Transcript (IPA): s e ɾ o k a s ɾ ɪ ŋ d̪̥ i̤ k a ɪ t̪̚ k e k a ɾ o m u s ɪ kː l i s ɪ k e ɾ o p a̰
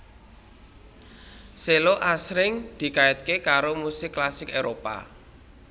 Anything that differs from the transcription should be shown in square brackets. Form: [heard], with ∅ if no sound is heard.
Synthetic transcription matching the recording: s e [l] o [ʔ] a s ɾ ɪ ŋ d̪̥ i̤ k a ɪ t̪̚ k e k a ɾ o m u s ɪ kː l [a] s ɪ k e ɾ o p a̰